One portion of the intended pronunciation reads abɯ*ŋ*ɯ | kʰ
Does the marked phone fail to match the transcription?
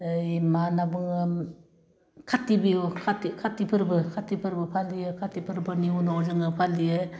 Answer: no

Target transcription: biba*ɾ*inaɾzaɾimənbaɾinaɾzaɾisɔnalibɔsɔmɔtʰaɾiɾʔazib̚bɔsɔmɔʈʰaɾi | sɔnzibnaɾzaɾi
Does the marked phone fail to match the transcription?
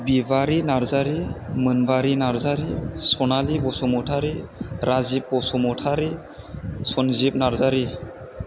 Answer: no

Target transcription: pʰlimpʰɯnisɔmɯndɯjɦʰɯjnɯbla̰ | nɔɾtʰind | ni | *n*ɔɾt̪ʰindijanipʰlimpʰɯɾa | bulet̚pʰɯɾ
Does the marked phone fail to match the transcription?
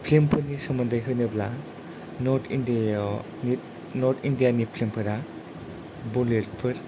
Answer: no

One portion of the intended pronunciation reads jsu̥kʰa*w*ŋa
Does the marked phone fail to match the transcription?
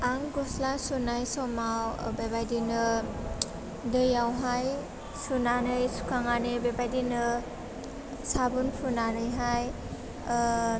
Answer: yes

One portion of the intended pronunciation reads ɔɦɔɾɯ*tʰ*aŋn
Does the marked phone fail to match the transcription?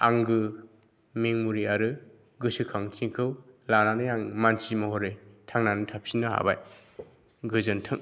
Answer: no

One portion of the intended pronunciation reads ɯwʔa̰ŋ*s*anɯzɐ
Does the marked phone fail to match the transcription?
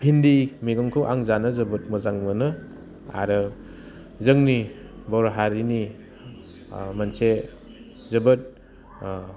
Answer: yes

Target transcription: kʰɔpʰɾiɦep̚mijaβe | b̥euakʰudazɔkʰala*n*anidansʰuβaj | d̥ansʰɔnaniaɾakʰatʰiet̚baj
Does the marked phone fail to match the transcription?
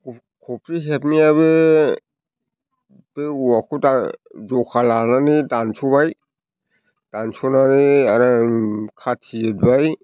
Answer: no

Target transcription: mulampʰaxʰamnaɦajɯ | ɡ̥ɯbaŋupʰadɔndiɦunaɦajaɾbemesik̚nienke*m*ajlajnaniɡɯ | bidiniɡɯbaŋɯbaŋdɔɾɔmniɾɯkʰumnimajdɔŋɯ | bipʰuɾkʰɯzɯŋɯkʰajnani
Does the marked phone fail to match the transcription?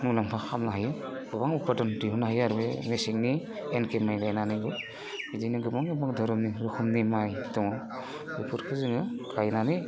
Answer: no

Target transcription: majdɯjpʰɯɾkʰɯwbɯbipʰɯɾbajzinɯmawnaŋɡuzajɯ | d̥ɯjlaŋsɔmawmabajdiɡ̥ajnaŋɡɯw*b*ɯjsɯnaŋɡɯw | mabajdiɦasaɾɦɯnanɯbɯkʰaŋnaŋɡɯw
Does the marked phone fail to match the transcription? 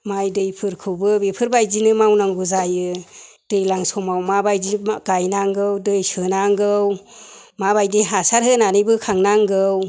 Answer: yes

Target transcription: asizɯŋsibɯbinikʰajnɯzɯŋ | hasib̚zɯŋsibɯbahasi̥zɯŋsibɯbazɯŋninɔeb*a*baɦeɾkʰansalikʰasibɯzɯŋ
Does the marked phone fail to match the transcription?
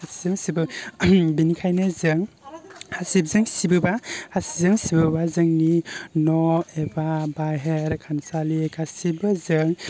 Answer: no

